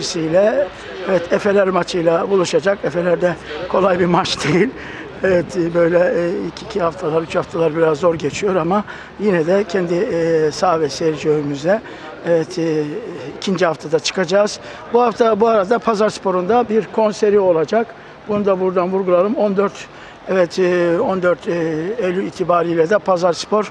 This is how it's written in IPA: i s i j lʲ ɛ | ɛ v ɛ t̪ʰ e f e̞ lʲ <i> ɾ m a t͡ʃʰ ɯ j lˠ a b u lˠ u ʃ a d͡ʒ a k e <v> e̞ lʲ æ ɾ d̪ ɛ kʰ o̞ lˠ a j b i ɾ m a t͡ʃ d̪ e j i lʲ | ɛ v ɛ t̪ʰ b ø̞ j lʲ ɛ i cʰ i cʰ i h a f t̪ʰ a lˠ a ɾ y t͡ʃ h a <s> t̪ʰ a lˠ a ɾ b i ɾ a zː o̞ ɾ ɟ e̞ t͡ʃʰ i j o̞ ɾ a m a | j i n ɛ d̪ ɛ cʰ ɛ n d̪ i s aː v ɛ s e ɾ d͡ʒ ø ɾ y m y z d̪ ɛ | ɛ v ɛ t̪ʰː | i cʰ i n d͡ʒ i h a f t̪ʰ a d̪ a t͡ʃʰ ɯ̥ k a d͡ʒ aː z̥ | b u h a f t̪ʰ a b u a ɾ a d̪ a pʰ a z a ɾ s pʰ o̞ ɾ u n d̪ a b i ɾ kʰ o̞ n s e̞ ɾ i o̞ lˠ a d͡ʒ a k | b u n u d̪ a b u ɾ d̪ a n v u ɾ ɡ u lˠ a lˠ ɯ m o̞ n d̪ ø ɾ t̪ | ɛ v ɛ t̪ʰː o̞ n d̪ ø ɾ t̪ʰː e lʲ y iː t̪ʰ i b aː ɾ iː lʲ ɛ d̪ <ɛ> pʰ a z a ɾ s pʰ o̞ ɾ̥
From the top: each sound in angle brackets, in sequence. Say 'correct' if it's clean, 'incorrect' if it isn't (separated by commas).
incorrect, incorrect, incorrect, correct